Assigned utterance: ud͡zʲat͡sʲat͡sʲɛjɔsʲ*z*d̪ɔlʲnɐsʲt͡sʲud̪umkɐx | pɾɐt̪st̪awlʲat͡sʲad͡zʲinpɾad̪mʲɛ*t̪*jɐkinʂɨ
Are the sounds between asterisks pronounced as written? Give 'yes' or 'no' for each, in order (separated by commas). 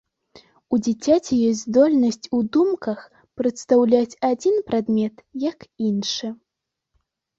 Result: yes, yes